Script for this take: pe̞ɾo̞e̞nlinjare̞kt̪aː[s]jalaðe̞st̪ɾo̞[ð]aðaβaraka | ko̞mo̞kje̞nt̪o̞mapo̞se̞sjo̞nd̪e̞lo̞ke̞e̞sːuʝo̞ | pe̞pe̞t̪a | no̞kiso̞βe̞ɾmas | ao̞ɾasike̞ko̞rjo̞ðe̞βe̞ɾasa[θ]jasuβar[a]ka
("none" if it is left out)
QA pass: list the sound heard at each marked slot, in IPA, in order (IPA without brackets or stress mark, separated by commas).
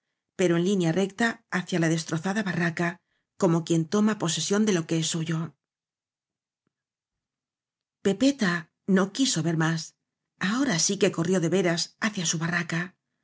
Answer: θ, θ, θ, a